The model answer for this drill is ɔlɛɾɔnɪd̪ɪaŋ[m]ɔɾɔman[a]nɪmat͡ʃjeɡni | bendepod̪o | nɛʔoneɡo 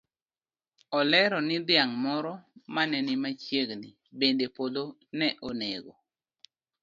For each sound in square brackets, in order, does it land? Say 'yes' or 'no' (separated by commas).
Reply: yes, no